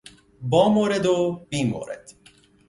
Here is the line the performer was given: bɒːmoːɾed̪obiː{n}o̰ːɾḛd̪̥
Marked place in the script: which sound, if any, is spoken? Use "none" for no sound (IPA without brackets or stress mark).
m